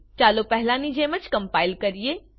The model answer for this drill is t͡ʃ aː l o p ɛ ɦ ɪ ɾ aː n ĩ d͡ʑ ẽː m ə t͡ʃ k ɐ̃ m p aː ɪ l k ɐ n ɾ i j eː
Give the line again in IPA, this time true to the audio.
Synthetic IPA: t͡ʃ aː l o p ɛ ɦ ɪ l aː n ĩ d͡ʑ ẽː m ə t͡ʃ k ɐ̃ m p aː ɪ l k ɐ ɾ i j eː